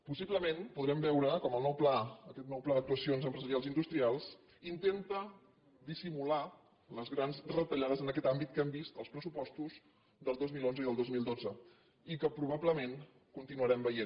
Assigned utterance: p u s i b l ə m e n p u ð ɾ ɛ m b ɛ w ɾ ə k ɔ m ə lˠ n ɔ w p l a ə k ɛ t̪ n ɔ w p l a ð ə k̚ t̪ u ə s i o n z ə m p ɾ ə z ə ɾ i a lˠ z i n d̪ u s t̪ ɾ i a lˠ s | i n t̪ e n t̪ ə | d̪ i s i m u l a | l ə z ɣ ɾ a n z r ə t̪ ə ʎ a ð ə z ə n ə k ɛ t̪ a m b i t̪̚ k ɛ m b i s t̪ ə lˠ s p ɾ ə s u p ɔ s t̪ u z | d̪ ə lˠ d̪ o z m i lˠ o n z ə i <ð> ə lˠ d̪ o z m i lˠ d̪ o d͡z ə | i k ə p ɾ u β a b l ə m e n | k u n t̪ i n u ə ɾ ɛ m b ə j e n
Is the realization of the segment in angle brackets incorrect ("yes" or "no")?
no